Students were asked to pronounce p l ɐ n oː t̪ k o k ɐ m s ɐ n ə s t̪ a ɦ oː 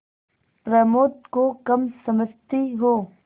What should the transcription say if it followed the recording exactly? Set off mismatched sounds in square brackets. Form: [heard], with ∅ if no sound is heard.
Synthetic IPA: p [ɾ] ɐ [m] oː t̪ k o k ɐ m s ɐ [m] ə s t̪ [i] ɦ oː

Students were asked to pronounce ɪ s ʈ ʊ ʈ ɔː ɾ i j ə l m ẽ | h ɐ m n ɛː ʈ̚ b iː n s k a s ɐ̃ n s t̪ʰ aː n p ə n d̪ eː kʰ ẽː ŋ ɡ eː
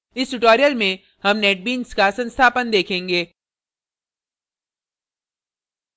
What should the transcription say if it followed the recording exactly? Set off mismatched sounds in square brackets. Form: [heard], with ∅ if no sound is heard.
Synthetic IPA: ɪ s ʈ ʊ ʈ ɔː ɾ i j ə l m ẽ | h ɐ m n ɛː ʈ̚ b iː n s k a s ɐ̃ n s t̪ʰ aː [∅] p ə n d̪ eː kʰ ẽː ŋ ɡ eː

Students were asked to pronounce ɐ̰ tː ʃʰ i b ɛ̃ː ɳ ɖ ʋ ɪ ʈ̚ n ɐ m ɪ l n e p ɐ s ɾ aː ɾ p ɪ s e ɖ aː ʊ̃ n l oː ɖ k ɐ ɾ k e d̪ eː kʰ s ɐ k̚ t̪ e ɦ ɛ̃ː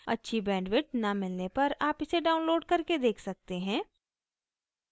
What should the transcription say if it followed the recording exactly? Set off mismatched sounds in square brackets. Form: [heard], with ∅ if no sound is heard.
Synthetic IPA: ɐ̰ tː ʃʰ i b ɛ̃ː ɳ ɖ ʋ ɪ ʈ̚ n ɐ m ɪ l n e p ɐ [∅] ɾ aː [∅] p ɪ s e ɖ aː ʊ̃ n l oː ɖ k ɐ ɾ k e d̪ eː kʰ s ɐ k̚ t̪ e ɦ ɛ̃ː

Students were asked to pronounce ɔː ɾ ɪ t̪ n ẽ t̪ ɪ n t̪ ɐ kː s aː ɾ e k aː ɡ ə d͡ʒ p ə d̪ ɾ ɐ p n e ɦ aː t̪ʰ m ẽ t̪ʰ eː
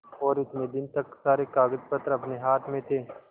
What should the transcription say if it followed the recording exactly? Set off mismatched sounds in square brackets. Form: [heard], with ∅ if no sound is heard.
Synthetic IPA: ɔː ɾ ɪ t̪ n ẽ [d̪] ɪ n t̪ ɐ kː s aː ɾ e k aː ɡ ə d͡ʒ p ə [t̪] ɾ ɐ p n e ɦ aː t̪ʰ m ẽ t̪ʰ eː

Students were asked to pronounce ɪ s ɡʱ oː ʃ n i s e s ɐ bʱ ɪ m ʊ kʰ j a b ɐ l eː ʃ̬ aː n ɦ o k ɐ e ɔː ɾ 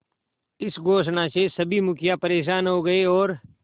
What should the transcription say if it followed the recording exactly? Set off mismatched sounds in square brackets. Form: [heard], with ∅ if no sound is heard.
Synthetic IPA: ɪ s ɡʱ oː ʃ n [a] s e s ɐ bʱ [i] m ʊ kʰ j a [p] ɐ [ɾ] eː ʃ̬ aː n ɦ o [ɡ] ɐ e ɔː ɾ

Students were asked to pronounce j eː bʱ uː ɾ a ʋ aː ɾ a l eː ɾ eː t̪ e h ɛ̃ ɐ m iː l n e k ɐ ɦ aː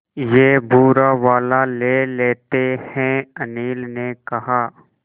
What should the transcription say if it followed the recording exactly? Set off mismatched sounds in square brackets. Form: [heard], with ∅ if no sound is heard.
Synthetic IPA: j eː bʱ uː ɾ a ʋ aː [l] a l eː [l] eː t̪ e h ɛ̃ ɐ [n] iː l n e k ɐ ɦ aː

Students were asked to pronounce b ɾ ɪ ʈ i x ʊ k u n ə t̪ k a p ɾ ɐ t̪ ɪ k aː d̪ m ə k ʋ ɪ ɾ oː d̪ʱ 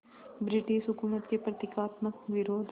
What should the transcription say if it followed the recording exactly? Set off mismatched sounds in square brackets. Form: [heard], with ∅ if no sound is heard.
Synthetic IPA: b ɾ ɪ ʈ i [ʃ] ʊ k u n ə t̪ k [e] p ɾ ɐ t̪ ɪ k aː [t̪] m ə k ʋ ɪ ɾ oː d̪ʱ

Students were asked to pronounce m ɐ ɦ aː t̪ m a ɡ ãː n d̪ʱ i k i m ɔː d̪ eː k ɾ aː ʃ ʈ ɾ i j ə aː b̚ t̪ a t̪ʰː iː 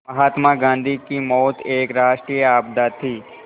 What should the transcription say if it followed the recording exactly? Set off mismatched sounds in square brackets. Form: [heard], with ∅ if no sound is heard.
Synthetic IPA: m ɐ ɦ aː t̪ m a ɡ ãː n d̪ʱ i k i m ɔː [t̪] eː k ɾ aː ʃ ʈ ɾ i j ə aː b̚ [d̪] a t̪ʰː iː

